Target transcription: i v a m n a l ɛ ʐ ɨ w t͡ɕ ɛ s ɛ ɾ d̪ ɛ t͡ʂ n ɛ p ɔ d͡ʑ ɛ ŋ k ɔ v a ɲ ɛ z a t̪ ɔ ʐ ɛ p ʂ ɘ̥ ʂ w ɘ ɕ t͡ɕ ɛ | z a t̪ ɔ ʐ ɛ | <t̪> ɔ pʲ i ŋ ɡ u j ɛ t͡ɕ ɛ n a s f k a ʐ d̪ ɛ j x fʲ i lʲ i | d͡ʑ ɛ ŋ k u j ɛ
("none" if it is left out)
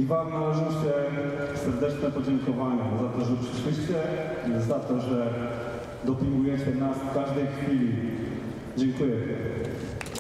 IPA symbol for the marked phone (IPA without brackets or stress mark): d̪